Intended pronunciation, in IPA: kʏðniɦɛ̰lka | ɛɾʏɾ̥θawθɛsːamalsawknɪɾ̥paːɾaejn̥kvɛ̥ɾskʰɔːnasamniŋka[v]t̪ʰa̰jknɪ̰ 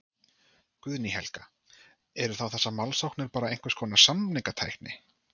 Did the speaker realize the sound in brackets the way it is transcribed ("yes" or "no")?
no